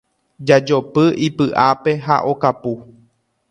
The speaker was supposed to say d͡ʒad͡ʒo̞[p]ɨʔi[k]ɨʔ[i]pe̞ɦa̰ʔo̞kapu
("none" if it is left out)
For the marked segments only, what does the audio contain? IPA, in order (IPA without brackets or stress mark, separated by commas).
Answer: p, p, a